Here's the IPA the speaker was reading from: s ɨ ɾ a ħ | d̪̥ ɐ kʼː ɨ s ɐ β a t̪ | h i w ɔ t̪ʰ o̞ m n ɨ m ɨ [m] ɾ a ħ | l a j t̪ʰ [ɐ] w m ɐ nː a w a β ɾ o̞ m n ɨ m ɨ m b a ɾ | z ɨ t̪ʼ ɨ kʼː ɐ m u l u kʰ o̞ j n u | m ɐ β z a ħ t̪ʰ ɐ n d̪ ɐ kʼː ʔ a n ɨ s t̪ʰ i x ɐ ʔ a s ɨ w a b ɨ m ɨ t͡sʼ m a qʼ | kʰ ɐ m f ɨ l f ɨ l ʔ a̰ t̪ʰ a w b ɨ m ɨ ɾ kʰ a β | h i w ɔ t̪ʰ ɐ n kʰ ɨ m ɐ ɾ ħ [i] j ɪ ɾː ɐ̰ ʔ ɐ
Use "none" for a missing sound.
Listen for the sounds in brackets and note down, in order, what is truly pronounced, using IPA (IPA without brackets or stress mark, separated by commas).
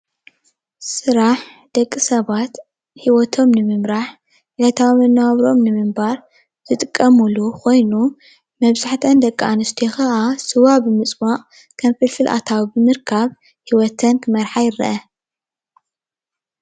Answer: m, a, a